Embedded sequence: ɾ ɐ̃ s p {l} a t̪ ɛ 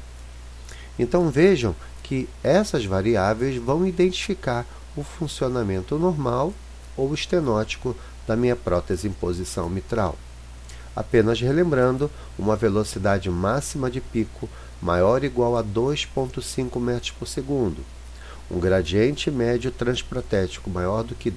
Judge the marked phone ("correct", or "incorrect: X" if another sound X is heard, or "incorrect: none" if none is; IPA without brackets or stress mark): incorrect: ɾ